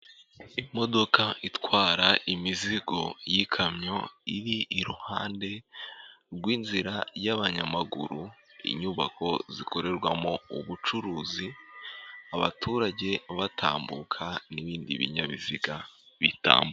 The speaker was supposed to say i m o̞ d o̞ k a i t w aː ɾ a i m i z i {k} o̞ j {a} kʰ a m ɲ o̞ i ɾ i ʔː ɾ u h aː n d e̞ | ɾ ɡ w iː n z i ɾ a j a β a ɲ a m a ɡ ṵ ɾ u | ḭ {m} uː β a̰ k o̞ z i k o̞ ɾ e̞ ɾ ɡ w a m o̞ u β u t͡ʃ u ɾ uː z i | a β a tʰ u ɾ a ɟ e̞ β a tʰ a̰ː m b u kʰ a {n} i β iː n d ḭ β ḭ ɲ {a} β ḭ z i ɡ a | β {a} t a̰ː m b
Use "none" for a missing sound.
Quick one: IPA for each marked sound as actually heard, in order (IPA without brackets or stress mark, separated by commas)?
ɡ, i, ɲ, n, a, i